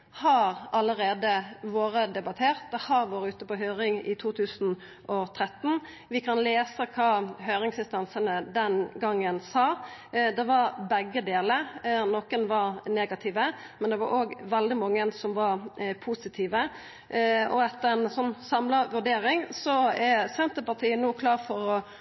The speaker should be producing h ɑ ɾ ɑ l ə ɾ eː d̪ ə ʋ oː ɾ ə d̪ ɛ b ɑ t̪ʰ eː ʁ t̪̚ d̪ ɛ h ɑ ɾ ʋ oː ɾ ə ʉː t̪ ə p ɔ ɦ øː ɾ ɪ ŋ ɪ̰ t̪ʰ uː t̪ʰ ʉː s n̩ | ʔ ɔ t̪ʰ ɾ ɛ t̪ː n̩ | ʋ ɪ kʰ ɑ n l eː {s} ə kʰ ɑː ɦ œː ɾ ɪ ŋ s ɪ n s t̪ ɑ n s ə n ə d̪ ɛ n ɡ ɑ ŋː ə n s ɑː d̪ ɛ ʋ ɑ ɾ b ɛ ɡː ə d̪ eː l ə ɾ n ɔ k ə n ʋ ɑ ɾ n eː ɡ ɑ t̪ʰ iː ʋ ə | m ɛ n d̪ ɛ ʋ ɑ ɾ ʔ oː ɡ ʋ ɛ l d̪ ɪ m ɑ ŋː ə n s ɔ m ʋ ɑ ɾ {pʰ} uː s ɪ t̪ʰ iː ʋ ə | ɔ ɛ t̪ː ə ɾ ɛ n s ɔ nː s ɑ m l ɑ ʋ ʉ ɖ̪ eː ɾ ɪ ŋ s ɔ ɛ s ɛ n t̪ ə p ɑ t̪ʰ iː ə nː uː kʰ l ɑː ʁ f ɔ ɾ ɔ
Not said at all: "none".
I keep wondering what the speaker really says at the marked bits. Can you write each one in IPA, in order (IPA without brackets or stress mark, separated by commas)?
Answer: s, pʰ